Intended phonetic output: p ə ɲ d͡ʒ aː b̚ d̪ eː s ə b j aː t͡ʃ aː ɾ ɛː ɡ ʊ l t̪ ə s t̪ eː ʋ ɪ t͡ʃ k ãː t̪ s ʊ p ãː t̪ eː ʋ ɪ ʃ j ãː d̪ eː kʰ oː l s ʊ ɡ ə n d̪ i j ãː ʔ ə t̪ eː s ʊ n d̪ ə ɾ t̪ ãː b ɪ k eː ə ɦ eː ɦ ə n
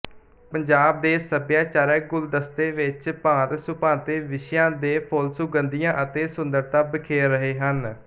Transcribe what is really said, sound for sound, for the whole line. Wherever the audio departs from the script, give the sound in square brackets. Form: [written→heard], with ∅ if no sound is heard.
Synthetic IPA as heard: p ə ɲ d͡ʒ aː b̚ d̪ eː s ə b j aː t͡ʃ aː ɾ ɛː ɡ ʊ l [t̪→d̪] ə s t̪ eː ʋ ɪ t͡ʃ [k→p] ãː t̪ s ʊ p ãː t̪ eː ʋ ɪ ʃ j ãː d̪ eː [kʰ→pʰ] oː l s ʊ ɡ ə n d̪ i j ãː ʔ ə t̪ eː s ʊ n d̪ ə ɾ t̪ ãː b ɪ [k→kʰ] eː ə ɦ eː ɦ ə n